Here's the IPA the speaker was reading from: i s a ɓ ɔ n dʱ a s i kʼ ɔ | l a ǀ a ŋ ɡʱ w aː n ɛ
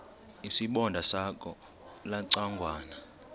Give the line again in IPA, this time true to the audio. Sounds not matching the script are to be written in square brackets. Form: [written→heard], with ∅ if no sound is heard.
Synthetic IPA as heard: i s [a→i] ɓ ɔ n dʱ a s [i→a] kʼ ɔ | l a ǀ a ŋ ɡʱ w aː n [ɛ→a]